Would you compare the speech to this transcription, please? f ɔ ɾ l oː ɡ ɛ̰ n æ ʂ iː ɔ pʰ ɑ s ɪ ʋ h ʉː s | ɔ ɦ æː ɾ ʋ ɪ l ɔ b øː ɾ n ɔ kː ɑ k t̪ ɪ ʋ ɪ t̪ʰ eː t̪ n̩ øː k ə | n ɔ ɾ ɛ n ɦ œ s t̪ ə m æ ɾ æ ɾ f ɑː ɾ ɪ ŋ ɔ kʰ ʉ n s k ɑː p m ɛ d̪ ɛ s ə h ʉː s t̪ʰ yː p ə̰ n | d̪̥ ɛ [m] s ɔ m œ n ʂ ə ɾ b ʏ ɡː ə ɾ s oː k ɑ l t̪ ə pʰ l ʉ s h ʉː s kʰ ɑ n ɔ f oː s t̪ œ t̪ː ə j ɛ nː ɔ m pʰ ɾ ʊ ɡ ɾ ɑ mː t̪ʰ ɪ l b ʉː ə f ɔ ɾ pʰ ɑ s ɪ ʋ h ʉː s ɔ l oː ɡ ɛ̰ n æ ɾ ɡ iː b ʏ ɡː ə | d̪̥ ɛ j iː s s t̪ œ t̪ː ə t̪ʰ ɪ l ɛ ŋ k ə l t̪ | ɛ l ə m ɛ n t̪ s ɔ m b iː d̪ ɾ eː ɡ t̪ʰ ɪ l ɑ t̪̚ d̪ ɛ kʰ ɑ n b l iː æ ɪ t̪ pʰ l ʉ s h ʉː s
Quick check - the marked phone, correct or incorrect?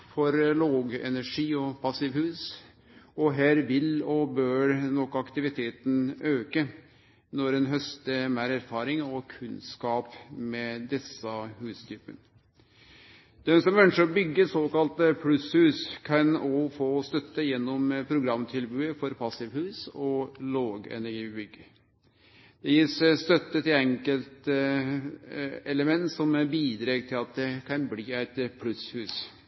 incorrect